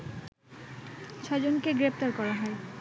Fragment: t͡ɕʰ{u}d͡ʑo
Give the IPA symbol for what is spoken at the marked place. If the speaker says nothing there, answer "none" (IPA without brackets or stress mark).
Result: ɔ